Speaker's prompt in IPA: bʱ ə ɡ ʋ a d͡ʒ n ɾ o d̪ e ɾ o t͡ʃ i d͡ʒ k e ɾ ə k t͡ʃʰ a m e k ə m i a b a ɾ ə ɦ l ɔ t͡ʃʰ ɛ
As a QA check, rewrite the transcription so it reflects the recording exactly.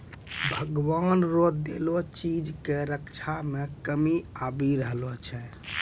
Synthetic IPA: bʱ ə ɡ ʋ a n ɾ o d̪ e l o t͡ʃ i d͡ʒ k e ɾ ə k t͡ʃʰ a m e k ə m i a b i ɾ ə ɦ l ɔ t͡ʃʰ ɛ